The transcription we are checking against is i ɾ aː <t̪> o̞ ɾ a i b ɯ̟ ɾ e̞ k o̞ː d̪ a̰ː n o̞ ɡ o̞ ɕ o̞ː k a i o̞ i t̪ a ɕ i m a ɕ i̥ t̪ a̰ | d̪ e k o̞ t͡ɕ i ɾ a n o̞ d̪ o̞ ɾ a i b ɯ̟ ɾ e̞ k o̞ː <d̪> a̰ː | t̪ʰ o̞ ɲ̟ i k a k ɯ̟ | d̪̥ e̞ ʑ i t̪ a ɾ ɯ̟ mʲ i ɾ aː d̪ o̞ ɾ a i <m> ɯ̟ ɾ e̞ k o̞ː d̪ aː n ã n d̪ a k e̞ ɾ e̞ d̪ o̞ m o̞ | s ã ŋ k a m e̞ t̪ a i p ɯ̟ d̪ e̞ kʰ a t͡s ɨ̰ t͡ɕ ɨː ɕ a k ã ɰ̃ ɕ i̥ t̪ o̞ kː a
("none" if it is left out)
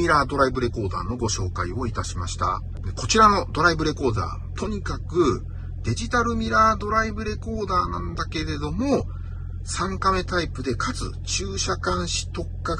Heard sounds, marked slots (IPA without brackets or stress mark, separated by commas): d̪, d̪, b